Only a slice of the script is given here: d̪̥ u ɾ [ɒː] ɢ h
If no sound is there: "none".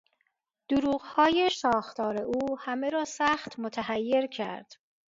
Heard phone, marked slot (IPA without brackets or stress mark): uː